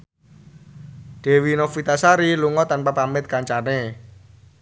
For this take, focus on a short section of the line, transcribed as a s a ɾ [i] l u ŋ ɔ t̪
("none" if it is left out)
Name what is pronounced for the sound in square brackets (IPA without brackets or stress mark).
i